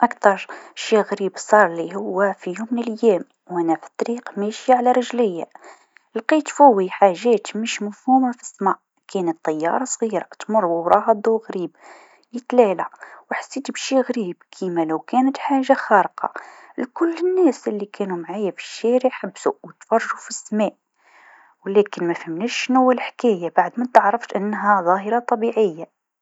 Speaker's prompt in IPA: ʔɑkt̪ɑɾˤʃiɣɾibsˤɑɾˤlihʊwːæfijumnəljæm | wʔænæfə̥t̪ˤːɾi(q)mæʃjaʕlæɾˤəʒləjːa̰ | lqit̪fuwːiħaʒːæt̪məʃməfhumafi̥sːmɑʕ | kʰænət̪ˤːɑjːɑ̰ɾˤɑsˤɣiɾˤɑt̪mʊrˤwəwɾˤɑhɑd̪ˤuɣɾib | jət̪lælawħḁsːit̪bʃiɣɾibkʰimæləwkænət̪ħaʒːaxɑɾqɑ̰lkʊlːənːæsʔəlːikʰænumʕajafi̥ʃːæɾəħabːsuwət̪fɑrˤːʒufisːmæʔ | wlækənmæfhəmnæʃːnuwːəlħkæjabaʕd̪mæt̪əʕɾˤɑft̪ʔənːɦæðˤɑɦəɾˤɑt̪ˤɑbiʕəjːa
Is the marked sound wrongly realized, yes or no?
no